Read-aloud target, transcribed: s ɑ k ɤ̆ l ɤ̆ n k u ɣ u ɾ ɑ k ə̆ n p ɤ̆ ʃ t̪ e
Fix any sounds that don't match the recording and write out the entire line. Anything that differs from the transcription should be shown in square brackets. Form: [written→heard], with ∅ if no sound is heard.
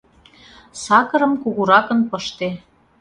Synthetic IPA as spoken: s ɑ k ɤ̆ [l→ɾ] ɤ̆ [n→m] k u ɣ u ɾ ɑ k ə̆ n p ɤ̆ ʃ t̪ e